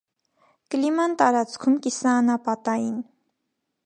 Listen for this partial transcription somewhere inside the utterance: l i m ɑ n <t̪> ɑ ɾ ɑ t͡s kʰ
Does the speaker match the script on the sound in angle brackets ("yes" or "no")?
yes